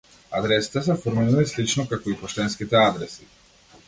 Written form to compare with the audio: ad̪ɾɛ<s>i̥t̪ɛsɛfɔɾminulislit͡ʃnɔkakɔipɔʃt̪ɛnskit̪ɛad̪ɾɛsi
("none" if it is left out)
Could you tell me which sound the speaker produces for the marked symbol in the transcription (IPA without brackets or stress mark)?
s